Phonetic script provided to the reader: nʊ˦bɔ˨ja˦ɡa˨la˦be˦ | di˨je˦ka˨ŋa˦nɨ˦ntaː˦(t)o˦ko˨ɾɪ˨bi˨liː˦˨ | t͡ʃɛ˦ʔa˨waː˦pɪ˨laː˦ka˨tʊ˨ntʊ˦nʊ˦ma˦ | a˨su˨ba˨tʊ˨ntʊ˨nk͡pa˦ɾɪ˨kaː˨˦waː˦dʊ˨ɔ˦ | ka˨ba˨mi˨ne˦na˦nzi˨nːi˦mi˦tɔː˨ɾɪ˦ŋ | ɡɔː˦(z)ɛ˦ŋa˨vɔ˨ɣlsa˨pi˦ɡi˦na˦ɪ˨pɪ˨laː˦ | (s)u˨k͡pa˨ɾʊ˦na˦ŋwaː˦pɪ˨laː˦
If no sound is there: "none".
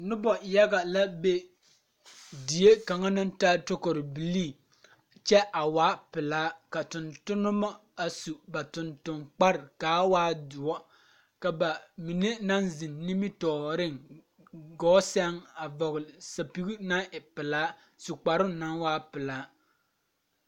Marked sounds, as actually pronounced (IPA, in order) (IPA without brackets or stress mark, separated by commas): t, s, s